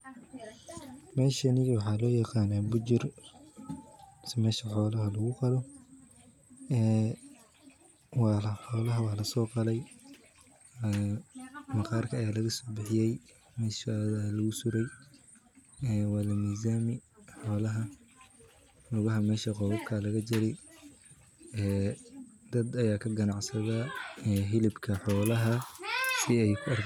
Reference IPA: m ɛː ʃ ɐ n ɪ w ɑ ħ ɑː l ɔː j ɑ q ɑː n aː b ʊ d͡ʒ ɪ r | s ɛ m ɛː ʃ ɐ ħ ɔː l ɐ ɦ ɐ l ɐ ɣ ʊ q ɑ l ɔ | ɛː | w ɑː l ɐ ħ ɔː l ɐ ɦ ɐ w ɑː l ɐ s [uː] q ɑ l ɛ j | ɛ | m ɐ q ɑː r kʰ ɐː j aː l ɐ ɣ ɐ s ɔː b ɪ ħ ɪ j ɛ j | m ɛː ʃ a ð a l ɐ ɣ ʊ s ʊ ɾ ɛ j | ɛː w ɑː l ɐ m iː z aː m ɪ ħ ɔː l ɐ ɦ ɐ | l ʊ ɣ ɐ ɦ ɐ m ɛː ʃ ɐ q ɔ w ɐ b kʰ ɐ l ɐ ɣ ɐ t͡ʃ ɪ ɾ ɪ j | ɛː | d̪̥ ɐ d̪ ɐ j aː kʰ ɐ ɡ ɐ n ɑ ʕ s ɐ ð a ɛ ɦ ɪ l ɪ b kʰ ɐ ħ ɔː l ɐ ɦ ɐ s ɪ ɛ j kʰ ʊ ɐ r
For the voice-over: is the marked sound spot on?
no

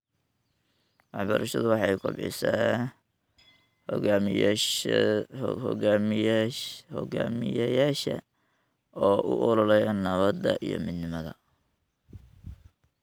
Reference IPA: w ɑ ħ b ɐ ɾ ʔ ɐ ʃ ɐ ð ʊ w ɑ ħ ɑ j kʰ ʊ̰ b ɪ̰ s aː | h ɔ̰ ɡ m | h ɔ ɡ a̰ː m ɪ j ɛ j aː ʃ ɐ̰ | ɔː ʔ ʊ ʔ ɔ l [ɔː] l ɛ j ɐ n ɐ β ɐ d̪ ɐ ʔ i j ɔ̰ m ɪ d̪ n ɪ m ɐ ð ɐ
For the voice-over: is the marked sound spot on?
no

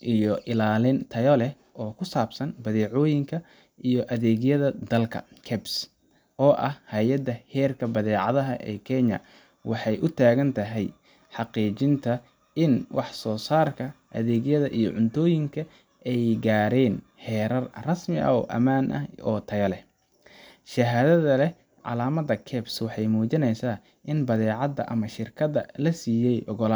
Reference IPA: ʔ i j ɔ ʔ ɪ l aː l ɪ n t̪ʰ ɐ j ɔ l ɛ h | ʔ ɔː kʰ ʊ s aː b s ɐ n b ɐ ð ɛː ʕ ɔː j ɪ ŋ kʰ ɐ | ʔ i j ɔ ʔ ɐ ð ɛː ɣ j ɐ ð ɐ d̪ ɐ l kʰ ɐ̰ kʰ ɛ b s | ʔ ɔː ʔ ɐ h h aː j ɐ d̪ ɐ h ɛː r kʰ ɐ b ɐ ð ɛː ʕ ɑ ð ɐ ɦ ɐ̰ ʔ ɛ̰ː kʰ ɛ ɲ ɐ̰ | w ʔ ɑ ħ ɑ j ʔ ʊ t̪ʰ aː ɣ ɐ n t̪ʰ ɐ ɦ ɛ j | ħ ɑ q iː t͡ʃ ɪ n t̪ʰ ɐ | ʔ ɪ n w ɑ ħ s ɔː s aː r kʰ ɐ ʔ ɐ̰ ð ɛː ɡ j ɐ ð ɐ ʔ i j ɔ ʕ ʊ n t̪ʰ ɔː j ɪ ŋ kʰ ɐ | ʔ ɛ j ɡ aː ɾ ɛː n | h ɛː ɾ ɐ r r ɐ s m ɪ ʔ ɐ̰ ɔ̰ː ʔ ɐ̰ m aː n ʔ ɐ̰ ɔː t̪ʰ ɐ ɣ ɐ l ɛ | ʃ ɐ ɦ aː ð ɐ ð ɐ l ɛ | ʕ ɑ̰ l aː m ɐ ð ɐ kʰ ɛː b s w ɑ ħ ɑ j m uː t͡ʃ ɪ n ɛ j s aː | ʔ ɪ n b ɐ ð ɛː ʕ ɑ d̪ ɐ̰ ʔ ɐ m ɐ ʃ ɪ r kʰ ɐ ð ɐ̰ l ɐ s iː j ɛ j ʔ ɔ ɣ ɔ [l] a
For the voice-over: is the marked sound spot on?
yes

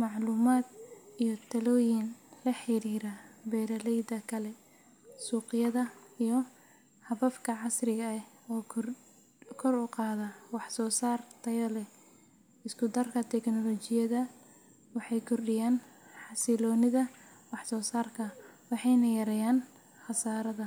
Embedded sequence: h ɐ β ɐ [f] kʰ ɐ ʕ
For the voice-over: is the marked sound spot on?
yes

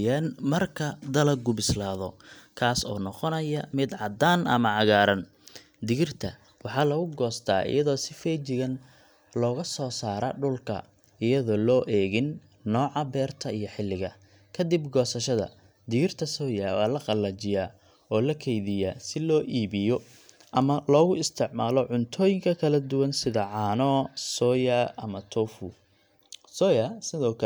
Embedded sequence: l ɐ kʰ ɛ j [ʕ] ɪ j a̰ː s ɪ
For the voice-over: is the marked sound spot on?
no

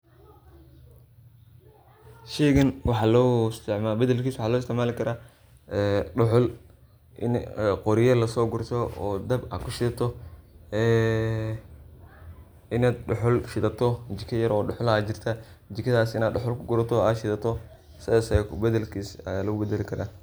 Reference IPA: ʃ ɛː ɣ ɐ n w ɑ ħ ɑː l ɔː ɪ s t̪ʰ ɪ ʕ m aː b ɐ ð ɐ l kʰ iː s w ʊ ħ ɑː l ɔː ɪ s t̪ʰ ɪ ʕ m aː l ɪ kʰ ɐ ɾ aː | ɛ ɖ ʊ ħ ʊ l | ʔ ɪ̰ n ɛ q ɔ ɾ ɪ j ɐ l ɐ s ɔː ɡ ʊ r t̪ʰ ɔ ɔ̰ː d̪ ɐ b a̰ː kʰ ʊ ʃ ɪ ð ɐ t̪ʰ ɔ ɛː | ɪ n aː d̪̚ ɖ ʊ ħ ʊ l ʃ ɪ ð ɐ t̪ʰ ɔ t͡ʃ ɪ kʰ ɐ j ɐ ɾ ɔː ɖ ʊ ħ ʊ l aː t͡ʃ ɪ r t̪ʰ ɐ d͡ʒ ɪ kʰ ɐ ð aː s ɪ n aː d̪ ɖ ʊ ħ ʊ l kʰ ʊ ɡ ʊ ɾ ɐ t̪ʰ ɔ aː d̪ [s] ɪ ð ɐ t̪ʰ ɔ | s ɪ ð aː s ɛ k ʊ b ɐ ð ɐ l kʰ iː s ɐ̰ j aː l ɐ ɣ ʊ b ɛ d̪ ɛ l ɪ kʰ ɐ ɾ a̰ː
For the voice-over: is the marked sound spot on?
no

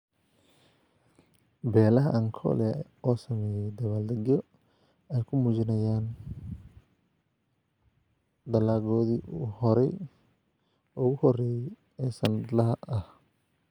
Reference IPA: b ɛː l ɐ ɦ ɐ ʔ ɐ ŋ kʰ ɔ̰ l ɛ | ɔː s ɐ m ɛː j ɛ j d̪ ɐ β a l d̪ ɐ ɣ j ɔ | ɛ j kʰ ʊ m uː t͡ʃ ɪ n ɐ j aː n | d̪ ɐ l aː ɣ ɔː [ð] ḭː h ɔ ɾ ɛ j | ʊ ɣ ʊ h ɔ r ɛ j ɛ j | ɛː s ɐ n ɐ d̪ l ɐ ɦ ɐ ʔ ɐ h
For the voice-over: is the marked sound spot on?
yes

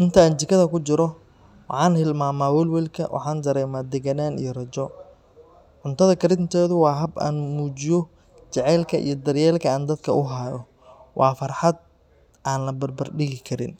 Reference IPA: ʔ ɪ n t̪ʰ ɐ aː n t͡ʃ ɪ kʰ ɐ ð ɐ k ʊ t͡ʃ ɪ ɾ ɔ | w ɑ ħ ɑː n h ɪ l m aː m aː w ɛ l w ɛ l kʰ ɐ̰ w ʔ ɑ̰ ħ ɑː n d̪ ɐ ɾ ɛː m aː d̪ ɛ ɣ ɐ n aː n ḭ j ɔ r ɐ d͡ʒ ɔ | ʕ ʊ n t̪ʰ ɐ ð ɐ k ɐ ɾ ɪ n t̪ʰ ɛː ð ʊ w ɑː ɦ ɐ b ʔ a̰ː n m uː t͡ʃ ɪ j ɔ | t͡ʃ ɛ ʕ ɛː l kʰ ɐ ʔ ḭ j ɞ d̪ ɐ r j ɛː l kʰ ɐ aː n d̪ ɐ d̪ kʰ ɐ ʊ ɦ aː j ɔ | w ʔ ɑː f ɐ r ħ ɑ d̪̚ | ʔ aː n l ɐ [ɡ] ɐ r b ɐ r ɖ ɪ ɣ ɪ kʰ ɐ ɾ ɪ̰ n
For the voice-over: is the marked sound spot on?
no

